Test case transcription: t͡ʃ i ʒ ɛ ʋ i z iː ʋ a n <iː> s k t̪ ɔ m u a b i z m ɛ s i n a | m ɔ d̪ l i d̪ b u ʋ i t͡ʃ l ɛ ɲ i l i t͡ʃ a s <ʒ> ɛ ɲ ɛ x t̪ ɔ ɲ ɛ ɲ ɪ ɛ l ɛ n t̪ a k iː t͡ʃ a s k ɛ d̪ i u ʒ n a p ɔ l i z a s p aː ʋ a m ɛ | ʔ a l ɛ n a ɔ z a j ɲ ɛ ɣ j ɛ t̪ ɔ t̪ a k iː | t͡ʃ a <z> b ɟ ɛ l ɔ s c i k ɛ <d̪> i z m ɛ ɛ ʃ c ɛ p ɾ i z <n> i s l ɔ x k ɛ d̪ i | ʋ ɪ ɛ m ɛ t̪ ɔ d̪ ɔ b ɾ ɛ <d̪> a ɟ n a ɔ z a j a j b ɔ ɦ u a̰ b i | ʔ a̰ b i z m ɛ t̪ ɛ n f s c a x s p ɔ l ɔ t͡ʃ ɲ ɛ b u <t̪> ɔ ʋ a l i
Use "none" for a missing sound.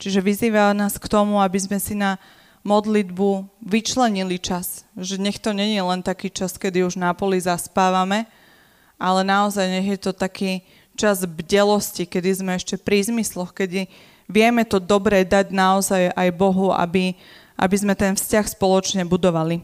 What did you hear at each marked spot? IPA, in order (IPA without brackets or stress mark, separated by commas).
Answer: aː, ʒ, z, d̪, m, d̪, d̪